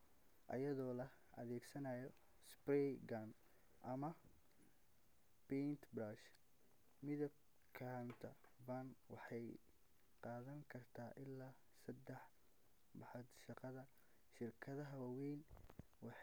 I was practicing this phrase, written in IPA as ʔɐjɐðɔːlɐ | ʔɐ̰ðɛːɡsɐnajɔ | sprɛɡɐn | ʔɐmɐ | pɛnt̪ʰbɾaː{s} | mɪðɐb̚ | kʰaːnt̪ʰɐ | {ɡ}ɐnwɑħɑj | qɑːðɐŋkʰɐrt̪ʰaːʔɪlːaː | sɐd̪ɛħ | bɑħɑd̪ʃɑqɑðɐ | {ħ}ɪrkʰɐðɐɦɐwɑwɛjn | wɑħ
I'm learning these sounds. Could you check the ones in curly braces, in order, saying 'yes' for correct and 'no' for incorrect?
no, no, no

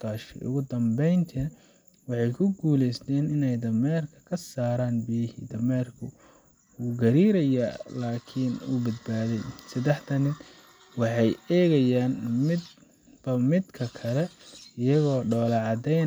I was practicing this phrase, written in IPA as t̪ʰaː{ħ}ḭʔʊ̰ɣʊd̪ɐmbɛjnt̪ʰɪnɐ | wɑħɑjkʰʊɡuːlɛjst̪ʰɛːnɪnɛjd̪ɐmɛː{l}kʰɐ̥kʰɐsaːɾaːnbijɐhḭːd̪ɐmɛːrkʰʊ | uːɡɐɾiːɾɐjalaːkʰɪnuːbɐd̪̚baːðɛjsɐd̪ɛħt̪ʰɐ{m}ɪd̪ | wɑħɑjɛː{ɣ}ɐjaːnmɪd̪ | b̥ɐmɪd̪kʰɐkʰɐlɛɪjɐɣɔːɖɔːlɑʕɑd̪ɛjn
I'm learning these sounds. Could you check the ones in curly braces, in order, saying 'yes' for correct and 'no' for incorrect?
no, no, no, yes

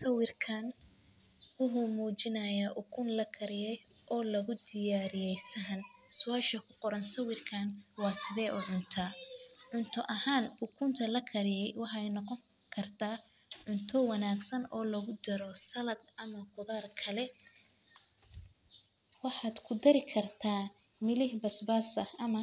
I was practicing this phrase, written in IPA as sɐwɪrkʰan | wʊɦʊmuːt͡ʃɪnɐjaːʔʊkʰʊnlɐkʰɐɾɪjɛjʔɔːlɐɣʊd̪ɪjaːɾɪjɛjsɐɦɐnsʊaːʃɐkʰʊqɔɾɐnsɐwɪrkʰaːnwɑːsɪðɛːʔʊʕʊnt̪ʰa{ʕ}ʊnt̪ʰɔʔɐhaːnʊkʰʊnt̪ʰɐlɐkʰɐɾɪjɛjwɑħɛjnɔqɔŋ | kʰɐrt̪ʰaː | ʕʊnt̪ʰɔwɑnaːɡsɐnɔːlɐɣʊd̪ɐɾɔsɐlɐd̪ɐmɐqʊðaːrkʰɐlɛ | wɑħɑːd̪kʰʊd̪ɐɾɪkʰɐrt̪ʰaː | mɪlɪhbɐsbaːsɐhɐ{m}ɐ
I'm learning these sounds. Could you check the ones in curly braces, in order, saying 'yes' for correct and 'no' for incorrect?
yes, yes

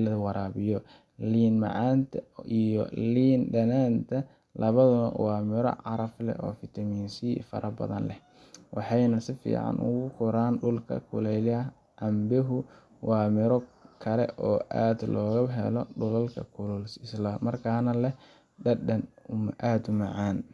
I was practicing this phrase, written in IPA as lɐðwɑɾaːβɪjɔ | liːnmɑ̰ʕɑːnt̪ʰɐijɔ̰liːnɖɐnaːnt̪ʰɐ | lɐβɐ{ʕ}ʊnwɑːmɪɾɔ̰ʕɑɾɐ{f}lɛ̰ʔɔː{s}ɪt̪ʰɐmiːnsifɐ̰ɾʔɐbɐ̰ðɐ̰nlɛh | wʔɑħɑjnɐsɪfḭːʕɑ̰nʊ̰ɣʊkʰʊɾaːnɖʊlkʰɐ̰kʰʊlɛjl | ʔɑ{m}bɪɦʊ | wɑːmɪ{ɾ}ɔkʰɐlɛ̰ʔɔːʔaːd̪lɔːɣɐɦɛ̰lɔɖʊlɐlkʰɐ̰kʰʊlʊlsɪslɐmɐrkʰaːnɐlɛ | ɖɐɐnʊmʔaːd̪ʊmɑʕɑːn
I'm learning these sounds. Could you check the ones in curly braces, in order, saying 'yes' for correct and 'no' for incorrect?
no, yes, no, yes, yes

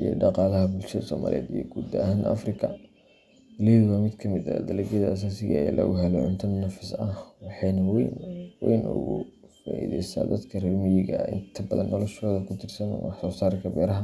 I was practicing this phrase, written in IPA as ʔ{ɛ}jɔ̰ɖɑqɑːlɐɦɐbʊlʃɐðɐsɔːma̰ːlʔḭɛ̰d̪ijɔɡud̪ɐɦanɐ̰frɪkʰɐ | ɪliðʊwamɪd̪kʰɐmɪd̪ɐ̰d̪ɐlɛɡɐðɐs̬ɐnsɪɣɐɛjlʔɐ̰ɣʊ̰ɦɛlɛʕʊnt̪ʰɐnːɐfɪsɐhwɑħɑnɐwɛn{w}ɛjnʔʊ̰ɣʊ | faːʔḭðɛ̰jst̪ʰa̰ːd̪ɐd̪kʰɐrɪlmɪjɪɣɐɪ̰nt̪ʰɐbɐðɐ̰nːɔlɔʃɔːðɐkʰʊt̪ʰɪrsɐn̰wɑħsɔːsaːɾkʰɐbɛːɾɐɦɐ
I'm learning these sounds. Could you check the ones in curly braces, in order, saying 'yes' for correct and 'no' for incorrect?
no, yes

